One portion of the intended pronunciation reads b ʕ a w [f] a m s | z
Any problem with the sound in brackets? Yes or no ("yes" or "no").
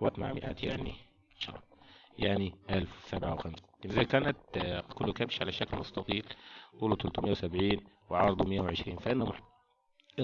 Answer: yes